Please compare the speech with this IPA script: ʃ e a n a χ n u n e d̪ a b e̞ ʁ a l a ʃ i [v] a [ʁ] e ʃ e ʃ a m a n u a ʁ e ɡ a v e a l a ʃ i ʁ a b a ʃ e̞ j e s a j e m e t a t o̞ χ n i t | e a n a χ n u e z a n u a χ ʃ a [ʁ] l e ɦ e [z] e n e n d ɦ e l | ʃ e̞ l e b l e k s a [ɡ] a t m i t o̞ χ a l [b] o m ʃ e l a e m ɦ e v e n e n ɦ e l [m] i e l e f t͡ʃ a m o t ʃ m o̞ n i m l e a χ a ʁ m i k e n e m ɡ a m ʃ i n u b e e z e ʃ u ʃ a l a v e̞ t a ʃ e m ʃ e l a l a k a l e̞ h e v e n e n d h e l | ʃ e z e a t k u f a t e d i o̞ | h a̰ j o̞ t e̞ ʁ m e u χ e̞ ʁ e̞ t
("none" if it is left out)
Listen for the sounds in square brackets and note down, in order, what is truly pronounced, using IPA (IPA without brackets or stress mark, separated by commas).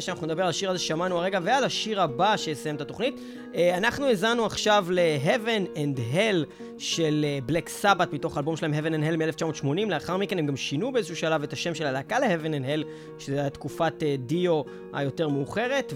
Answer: ʁ, z, v, v, b, b, m